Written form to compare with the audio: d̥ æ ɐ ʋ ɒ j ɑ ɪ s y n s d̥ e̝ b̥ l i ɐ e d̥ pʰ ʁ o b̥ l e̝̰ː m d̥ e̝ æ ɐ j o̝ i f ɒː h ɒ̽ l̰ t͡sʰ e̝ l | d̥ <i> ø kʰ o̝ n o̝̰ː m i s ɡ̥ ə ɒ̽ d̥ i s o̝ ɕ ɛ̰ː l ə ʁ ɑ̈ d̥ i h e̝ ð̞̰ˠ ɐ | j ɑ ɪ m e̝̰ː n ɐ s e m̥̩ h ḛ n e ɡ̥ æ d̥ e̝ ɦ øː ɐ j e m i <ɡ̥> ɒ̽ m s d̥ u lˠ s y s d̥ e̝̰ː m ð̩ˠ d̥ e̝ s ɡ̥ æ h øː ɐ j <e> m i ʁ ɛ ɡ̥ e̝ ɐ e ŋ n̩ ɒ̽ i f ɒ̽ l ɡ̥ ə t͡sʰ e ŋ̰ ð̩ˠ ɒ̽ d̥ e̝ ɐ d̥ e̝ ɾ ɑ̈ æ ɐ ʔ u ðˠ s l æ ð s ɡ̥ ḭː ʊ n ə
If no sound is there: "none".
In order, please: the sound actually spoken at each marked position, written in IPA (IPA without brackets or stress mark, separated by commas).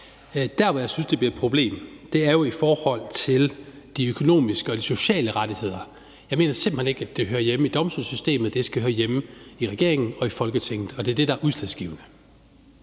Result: i, d̥, e